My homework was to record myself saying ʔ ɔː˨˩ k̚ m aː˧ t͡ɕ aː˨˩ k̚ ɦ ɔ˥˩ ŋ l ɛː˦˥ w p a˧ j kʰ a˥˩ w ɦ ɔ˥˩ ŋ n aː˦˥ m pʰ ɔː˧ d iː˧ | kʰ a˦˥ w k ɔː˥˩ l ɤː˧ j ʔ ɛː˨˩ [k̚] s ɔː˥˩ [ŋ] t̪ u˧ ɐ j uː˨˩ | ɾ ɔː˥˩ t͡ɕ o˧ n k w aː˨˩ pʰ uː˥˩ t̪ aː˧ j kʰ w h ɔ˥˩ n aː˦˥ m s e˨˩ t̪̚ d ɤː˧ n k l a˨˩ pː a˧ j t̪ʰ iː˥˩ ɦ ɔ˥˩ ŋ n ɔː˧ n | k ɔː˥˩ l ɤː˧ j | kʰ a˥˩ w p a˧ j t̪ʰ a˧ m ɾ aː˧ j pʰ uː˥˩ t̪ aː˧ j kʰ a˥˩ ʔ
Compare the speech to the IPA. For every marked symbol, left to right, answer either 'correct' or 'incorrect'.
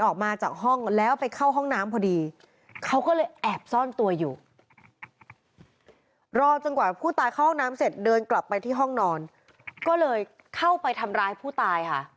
incorrect, incorrect

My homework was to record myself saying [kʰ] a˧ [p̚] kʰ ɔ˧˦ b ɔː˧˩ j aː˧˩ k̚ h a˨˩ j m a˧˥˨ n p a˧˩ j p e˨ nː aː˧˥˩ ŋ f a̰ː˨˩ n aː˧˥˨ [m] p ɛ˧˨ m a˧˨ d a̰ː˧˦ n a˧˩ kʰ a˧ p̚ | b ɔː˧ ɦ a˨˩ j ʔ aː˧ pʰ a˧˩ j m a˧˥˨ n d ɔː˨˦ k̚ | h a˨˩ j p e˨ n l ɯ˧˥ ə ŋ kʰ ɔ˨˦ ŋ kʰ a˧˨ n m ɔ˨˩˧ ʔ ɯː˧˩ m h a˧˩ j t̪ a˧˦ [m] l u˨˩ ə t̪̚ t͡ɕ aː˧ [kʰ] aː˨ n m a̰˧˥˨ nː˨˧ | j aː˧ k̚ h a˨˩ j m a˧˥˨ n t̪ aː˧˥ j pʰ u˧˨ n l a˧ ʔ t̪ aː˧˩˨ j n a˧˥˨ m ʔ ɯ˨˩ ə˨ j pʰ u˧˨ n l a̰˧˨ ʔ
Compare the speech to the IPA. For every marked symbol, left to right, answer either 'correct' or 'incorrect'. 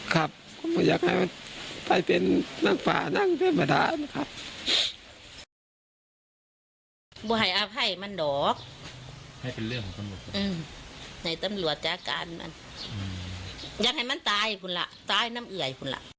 correct, correct, incorrect, correct, incorrect

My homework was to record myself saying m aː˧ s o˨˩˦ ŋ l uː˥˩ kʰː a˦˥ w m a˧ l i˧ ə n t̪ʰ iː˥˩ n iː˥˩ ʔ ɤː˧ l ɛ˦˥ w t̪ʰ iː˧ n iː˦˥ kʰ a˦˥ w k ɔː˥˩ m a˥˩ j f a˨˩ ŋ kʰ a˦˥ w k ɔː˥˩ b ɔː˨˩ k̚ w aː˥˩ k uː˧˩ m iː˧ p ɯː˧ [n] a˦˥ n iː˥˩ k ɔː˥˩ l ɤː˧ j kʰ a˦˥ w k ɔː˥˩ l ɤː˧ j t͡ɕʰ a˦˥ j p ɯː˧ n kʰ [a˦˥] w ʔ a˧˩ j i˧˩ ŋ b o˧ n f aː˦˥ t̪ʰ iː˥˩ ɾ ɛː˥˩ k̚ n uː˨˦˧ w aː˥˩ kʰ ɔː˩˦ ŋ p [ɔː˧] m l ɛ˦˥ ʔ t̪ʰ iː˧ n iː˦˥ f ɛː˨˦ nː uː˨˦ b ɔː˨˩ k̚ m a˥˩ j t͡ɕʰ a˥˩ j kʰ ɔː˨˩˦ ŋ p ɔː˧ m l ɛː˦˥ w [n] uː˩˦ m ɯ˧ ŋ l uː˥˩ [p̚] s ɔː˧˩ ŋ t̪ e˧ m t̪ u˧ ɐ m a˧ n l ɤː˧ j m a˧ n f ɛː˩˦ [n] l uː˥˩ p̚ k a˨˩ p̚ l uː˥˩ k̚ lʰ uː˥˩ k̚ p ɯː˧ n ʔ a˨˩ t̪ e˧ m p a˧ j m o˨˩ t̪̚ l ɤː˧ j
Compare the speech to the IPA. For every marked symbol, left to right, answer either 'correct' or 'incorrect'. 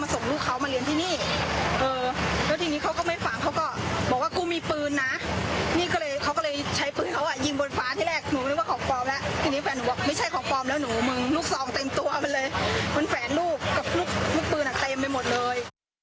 incorrect, correct, correct, correct, incorrect, correct

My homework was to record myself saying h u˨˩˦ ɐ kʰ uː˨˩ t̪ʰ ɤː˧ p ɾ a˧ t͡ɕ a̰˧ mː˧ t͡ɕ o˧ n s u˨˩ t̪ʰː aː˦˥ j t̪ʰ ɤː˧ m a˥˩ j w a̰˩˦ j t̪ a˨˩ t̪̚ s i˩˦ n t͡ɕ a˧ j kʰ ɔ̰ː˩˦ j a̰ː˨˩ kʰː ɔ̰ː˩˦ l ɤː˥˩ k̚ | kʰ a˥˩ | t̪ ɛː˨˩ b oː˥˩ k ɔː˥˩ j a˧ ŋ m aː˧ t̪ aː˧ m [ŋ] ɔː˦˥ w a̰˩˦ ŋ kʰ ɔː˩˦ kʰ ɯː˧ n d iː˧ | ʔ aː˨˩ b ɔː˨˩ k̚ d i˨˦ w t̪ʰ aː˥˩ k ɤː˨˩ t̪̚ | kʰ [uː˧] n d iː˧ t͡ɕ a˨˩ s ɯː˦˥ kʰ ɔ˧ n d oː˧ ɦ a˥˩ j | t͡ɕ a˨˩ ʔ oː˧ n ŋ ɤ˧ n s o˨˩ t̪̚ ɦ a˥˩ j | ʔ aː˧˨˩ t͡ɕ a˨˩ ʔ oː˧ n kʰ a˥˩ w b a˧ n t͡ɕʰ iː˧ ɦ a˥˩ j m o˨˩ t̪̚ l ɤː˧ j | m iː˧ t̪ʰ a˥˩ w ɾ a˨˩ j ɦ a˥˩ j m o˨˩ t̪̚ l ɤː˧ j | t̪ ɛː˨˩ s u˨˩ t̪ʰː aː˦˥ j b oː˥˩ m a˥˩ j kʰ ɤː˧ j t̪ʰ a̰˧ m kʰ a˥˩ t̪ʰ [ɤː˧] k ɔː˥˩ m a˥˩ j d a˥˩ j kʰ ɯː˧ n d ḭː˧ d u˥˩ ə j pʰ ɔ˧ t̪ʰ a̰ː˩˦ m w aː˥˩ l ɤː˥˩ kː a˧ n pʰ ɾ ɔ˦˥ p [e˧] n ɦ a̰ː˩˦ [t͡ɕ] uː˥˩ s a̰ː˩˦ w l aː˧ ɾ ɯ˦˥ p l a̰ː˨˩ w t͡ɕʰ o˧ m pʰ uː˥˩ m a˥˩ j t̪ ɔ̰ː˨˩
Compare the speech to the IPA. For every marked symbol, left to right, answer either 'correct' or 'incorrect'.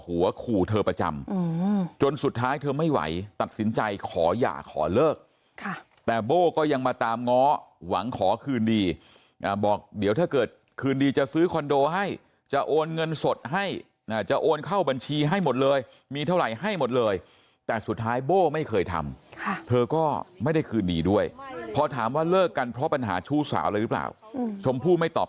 correct, incorrect, correct, incorrect, incorrect

